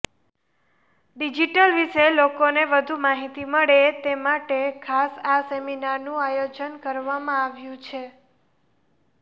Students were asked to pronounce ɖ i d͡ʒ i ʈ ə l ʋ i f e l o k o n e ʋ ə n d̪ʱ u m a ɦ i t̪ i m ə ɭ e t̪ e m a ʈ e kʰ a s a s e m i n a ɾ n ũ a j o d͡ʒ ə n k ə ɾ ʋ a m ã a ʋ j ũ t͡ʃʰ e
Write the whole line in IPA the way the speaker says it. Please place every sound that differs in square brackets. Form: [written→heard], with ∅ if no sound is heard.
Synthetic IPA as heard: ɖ i d͡ʒ i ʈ ə l ʋ i [f→ʃ] e l o k o n e ʋ ə [n→∅] d̪ʱ u m a ɦ i t̪ i m ə ɭ e t̪ e m a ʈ e kʰ a s a s e m i n a ɾ n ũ a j o d͡ʒ ə n k ə ɾ ʋ a m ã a ʋ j ũ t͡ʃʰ e